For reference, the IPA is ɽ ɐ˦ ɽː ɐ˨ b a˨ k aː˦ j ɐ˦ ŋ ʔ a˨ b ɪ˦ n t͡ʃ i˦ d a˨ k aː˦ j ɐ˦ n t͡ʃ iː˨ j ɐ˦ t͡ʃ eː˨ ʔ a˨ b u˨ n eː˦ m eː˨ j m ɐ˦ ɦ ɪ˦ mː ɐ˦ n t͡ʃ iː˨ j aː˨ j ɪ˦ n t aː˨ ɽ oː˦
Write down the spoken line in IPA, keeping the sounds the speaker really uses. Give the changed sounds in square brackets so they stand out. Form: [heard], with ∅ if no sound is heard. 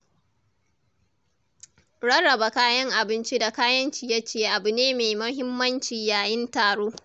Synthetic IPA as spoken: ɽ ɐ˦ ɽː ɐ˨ b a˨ k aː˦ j ɐ˦ ŋ ʔ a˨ b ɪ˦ n t͡ʃ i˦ d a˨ k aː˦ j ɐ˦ n t͡ʃ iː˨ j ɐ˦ t͡ʃ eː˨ ʔ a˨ b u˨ n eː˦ m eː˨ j m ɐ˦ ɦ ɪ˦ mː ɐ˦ n t͡ʃ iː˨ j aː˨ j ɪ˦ n t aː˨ ɽ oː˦

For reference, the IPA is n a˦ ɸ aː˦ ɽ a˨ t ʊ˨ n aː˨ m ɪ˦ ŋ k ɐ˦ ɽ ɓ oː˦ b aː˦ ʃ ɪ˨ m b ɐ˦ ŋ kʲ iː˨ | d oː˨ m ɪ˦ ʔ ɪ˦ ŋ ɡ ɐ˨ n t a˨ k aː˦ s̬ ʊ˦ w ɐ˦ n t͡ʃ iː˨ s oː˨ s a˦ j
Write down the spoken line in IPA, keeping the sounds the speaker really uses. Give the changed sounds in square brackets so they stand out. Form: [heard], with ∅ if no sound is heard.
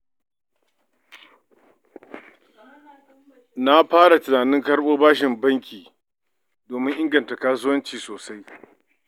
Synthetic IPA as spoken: n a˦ ɸ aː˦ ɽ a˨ t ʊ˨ n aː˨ [n] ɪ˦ ŋ k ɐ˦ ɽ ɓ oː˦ b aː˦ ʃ ɪ˨ m b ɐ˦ ŋ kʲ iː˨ | d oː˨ m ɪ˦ ʔ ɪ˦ ŋ ɡ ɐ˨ n t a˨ k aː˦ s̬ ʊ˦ w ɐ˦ n t͡ʃ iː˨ s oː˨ s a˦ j

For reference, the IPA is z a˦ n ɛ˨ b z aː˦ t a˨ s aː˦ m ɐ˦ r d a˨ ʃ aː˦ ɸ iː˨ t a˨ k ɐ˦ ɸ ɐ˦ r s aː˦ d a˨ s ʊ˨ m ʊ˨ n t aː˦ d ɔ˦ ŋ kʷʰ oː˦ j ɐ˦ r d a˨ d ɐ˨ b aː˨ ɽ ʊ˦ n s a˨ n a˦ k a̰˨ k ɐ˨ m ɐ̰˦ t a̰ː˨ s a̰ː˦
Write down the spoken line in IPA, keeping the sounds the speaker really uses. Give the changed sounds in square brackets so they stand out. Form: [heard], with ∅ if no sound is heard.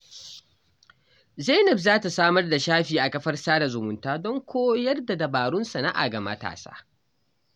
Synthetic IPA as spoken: z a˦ n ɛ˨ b z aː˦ t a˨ s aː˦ m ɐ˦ r d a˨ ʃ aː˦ ɸ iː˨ [ʔ] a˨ k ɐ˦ ɸ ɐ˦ r s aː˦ d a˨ [z] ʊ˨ m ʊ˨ n t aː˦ d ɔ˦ ŋ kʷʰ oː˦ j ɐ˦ r d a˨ d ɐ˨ b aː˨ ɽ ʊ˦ n s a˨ n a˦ [ʔ] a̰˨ [ɡ] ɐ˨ m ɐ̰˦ t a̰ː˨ s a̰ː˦

